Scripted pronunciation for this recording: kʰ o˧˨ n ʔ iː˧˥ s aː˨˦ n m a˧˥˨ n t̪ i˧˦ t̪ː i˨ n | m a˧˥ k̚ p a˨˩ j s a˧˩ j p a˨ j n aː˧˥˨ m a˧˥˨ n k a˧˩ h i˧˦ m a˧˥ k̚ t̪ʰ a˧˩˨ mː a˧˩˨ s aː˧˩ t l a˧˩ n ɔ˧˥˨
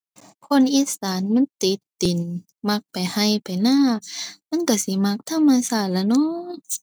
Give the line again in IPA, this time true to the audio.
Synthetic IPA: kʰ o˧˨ n ʔ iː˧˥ s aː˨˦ n m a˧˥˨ n t̪ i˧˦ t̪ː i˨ n | m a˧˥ k̚ p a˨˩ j h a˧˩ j p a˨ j n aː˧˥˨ m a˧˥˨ n k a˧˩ s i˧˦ m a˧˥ k̚ t̪ʰ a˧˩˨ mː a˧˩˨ s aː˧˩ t l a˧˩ n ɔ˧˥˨

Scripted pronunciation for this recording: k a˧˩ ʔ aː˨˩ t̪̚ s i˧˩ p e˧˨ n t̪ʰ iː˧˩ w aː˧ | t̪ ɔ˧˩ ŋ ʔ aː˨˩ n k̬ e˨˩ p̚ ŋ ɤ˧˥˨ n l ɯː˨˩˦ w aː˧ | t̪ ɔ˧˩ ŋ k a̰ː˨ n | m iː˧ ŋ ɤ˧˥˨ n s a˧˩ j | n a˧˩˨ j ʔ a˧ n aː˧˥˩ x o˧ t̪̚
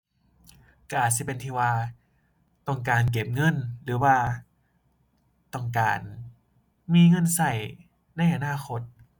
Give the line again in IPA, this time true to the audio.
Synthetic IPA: k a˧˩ ʔ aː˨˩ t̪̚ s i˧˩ p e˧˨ n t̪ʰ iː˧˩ w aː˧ | t̪ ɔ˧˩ ŋ k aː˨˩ n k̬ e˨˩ p̚ ŋ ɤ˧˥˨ n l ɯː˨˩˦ w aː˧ | t̪ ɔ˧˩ ŋ k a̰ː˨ n | m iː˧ ŋ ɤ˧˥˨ n s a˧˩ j | n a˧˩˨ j ʔ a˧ n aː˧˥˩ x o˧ t̪̚

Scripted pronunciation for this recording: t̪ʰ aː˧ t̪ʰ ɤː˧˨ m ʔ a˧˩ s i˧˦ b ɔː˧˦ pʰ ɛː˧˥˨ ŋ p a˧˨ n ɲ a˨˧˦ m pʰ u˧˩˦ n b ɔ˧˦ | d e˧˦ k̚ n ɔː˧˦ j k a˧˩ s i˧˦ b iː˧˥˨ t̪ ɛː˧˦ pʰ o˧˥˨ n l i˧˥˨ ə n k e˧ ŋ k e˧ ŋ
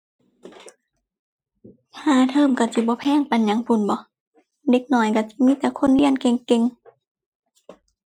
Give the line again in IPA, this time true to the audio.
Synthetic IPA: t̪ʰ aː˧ t̪ʰ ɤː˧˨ m k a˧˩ s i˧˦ b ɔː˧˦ pʰ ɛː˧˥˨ ŋ p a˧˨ n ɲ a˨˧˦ ŋ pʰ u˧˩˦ n b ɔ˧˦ | d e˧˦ k̚ n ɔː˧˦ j k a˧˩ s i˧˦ m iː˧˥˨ t̪ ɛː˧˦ kʰ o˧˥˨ n l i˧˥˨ ə n k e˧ ŋ k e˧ ŋ

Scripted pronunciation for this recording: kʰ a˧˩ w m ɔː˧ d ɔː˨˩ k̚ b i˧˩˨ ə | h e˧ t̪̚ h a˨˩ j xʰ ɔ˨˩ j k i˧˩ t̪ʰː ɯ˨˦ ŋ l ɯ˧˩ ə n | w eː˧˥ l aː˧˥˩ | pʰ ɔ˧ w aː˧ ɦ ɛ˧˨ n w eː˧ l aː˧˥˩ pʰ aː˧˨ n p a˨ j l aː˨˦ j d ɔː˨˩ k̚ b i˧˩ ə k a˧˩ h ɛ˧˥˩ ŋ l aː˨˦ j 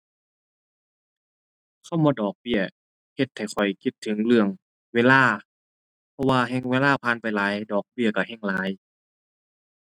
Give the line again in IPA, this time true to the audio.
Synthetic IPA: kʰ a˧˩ w m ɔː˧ d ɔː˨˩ k̚ b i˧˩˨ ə | h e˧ t̪̚ h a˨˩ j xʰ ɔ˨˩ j k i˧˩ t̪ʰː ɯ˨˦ ŋ l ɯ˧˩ ə ŋ | w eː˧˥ l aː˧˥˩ | pʰ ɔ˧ w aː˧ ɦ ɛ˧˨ ŋ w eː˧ l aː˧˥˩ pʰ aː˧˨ n p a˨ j l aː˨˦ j d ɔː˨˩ k̚ b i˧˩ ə k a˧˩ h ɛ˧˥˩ ŋ l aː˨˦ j

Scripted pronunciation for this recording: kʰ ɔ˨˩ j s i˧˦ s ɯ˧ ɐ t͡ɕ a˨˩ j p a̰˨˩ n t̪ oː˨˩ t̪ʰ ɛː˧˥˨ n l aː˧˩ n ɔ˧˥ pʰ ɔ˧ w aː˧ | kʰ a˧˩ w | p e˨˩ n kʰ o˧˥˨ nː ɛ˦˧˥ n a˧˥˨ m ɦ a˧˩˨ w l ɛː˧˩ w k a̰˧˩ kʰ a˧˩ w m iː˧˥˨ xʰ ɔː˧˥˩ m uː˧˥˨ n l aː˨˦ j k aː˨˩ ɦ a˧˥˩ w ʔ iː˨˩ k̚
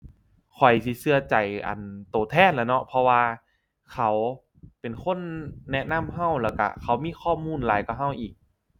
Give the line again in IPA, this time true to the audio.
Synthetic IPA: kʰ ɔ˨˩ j s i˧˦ s ɯ˧ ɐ t͡ɕ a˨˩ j ʔ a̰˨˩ n t̪ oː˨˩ t̪ʰ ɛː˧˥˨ n l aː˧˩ n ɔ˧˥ pʰ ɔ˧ w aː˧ | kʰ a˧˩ w | p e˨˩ n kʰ o˧˥˨ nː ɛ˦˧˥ n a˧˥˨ m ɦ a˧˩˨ w l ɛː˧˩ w k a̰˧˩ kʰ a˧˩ w m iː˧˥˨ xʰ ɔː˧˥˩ m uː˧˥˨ n l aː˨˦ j k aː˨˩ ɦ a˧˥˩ w ʔ iː˨˩ k̚

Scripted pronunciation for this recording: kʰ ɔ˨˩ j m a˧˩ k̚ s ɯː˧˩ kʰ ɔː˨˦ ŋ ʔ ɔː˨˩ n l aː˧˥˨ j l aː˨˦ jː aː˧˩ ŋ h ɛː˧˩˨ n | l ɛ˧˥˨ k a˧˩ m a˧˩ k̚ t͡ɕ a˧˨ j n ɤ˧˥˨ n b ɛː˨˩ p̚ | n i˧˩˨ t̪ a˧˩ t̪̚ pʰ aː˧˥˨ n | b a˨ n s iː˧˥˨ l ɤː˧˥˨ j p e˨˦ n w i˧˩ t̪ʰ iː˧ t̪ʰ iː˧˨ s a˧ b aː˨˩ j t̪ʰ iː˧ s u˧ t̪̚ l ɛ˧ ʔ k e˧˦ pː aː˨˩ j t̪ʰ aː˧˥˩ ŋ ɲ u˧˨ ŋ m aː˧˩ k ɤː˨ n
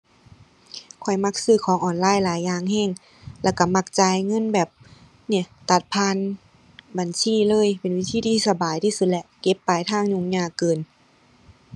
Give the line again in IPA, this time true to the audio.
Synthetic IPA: kʰ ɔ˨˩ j m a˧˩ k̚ s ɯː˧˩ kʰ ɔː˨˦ ŋ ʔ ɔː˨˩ n l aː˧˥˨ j l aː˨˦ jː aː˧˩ ŋ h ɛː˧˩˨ ŋ | l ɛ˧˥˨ k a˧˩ m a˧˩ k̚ t͡ɕ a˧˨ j ŋ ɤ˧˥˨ n b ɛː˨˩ p̚ | n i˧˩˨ t̪ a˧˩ t̪̚ pʰ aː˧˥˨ n | b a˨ n s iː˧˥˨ l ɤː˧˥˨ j p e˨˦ n w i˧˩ t̪ʰ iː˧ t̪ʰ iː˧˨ s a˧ b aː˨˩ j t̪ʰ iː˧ s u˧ t̪̚ l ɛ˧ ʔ k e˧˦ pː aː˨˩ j t̪ʰ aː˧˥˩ ŋ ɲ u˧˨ ŋ ɲ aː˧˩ k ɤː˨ n

